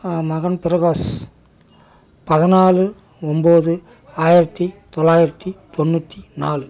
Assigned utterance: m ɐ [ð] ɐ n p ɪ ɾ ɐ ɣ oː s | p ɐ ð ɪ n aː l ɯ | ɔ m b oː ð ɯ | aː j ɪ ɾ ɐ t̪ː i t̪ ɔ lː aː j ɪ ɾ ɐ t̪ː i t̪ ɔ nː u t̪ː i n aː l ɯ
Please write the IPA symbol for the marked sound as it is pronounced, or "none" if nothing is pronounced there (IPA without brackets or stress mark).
ɣ